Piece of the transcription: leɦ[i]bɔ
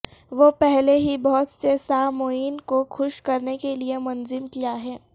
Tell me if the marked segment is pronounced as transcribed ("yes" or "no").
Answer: yes